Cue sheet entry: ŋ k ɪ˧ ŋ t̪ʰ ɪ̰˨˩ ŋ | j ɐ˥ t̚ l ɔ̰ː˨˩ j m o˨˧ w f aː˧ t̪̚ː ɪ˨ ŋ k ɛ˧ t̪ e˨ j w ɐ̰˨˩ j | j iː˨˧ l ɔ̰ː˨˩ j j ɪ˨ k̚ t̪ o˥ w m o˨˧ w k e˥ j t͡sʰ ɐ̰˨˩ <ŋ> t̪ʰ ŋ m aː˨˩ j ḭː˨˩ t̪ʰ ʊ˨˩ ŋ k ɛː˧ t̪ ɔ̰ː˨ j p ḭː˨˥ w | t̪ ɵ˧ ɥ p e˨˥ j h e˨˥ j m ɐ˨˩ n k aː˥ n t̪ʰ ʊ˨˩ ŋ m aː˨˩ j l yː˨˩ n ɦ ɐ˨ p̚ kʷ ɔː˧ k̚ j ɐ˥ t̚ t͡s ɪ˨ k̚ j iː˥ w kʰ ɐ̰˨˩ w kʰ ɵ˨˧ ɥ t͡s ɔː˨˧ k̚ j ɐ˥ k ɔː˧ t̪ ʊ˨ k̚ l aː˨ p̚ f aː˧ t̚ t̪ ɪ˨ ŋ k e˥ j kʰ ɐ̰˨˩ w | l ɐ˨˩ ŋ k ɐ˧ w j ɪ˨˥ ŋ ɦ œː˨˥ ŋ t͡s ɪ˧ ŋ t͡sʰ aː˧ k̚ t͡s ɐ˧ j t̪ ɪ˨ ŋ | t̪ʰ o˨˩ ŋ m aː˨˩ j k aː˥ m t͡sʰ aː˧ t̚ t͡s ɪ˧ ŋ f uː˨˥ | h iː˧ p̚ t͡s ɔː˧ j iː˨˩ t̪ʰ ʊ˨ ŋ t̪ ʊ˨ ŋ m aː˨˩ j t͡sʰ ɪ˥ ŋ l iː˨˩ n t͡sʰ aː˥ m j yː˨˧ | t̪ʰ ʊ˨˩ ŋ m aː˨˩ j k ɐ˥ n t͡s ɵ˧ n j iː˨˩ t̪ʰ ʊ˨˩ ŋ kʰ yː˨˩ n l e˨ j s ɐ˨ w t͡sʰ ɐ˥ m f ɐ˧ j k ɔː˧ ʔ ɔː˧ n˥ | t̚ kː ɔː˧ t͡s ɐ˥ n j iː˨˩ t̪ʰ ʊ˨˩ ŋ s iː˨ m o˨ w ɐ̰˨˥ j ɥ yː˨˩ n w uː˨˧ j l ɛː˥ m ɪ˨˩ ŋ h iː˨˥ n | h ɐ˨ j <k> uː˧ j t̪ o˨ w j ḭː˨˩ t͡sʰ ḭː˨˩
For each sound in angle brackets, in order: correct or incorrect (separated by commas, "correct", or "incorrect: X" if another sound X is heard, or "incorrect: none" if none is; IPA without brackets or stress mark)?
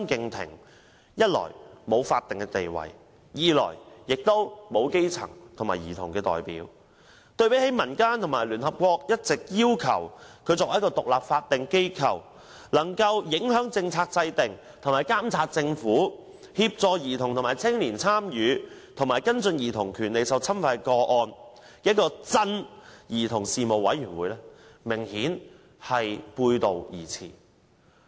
correct, incorrect: p